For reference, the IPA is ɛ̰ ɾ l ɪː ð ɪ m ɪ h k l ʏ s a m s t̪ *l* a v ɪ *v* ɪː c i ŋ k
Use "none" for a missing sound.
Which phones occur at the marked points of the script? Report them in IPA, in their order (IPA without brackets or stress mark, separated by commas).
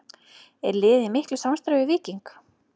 ɾ, v